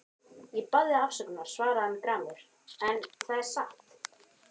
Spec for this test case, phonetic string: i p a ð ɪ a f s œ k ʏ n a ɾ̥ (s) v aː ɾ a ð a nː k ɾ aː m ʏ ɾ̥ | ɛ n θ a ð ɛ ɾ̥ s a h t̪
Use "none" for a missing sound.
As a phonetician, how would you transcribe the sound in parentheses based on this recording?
s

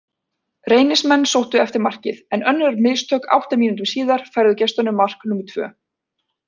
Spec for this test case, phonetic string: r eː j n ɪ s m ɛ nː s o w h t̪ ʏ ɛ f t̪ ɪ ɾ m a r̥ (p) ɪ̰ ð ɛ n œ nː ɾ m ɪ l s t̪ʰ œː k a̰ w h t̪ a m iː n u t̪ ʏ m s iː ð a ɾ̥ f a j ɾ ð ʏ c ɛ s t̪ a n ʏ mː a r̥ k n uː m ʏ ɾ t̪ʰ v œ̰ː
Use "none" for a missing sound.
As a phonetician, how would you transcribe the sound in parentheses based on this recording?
c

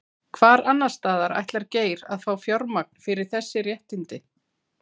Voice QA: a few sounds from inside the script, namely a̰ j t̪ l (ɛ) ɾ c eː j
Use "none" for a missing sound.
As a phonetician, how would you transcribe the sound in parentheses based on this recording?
a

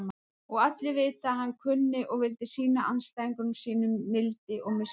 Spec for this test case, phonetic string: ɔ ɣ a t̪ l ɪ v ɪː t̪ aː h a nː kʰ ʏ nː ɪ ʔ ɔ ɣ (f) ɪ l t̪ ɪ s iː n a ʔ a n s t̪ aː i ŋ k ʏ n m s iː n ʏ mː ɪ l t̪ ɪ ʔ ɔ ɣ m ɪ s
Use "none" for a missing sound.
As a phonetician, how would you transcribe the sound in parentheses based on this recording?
v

